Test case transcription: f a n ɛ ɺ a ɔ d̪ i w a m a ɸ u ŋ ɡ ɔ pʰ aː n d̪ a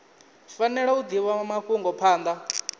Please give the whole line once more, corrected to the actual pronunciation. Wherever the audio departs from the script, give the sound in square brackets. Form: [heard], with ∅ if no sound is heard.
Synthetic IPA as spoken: f a n ɛ ɺ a [u] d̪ i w a m a ɸ u ŋ ɡ ɔ pʰ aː n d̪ a